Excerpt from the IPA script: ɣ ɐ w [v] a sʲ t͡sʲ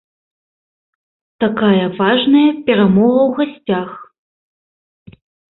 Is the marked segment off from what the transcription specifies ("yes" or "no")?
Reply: yes